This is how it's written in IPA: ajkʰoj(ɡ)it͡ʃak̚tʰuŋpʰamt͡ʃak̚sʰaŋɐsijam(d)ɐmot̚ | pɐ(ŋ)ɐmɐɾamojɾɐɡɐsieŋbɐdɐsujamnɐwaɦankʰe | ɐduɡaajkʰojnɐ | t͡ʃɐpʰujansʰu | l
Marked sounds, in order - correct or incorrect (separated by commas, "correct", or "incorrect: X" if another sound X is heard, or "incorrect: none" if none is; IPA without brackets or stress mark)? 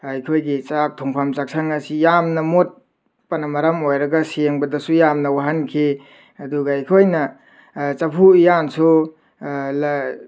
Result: correct, incorrect: n, incorrect: n